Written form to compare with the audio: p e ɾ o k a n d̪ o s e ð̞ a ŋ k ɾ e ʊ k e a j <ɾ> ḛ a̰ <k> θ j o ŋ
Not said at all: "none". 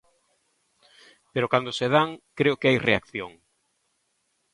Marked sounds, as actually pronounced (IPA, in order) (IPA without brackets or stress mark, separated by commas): r, k